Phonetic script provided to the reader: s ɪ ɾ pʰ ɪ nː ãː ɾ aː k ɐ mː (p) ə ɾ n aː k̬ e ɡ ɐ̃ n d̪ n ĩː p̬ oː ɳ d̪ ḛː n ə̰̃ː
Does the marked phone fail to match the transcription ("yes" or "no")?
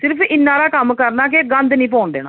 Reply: yes